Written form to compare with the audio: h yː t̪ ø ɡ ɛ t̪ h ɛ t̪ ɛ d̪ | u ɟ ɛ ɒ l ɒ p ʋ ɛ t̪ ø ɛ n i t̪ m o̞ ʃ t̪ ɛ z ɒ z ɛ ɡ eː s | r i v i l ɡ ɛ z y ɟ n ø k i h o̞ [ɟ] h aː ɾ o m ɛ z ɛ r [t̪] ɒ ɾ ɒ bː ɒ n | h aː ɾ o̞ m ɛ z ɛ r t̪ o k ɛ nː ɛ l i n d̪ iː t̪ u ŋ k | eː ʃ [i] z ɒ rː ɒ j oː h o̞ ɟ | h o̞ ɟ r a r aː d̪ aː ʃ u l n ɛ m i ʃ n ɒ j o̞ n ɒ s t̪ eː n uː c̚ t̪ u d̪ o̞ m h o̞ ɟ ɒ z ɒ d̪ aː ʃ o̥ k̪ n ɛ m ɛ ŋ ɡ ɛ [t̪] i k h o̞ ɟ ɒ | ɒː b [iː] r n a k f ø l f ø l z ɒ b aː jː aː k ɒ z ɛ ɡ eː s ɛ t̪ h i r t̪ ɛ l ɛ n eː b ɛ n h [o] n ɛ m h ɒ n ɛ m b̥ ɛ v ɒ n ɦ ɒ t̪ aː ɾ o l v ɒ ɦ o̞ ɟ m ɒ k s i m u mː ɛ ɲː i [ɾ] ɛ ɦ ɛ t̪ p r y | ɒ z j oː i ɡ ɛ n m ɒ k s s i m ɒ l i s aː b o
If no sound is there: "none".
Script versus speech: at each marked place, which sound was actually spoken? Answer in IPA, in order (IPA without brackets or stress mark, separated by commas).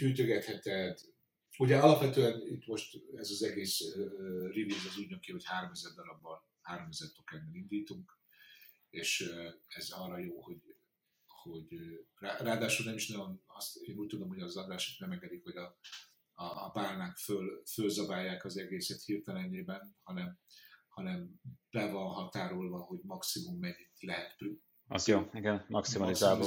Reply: c, d̪, ɛ, d̪, aː, ɒ, l